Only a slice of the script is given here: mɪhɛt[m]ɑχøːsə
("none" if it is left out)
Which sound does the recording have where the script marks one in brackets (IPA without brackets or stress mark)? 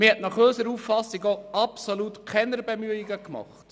n